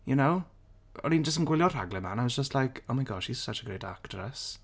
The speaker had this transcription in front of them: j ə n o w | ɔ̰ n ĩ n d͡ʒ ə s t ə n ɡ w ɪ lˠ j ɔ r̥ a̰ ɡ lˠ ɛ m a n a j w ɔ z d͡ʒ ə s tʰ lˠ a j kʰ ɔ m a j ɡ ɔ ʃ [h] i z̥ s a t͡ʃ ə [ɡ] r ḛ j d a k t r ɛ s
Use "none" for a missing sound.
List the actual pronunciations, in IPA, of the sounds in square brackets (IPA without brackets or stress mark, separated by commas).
h, ɡ